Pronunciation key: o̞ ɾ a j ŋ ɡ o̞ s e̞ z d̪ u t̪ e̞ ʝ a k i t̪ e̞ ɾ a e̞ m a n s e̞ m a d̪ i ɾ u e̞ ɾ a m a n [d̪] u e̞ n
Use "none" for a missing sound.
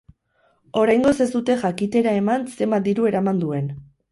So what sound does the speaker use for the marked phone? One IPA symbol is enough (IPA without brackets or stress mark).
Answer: d̪